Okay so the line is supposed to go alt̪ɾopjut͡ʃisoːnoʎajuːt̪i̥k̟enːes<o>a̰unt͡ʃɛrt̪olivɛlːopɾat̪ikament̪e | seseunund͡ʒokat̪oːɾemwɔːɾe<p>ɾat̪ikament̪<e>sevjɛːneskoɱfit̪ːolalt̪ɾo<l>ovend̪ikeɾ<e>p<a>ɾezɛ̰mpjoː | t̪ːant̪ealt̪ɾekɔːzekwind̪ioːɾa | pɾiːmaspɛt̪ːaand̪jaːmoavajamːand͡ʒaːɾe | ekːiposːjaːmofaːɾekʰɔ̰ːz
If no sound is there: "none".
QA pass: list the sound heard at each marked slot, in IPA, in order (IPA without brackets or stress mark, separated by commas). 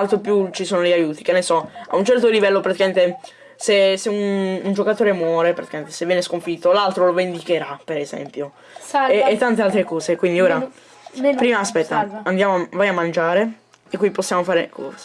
ɔ, p, e, l, a, e